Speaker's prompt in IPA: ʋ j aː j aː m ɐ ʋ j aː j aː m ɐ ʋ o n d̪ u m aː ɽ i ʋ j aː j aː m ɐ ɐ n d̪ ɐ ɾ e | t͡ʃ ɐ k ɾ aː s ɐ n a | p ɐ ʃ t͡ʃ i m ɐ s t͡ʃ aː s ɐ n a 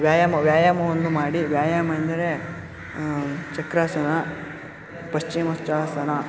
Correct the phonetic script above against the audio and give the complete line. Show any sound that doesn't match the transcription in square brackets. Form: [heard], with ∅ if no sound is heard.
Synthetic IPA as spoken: ʋ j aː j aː m ɐ ʋ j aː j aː m ɐ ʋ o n d̪ u m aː ɽ i ʋ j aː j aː m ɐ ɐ n d̪ ɐ ɾ e | t͡ʃ ɐ k ɾ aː s ɐ n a | p ɐ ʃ t͡ʃ i m ɐ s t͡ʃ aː s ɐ n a